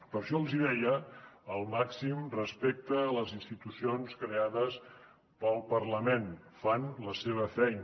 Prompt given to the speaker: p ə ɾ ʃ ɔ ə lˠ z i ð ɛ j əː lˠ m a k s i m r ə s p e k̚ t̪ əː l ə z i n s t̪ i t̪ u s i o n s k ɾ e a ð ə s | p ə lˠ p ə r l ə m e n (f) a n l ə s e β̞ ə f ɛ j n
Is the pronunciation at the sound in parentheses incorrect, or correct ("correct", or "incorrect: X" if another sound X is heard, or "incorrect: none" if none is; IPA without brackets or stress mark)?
correct